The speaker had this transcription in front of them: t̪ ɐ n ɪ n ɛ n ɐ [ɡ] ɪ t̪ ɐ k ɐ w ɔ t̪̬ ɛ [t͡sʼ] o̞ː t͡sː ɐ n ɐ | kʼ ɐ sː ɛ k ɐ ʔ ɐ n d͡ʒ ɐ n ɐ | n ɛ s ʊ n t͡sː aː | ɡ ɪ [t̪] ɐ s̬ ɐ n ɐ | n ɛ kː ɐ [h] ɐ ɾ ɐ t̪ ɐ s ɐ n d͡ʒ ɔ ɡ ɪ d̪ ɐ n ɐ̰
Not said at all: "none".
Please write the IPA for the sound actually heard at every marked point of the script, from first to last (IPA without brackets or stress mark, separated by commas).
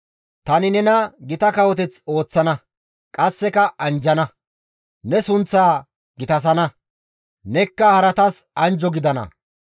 ɡ, t͡s, t̪, h